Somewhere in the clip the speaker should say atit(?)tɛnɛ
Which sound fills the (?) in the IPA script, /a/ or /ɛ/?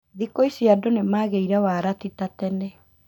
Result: a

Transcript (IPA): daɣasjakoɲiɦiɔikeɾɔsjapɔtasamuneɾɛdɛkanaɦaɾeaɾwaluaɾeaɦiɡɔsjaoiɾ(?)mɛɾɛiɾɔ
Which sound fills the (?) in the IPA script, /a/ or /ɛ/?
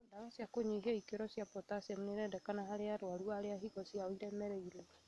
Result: ɛ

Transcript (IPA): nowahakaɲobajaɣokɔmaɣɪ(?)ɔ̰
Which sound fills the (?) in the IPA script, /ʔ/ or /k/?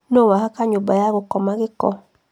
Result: k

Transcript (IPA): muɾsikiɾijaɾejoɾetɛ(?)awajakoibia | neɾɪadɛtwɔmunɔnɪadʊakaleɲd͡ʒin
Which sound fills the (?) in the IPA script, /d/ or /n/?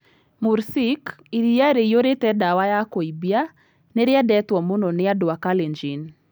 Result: d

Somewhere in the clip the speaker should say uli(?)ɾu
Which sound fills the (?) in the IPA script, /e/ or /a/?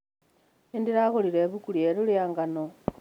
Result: e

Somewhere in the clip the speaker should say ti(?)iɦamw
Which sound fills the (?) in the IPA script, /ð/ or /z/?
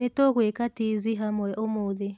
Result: z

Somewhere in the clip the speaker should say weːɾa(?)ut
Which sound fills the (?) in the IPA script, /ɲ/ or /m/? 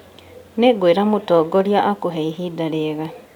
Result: m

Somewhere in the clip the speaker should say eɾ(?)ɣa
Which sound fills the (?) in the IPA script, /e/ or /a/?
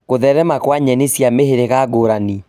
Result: e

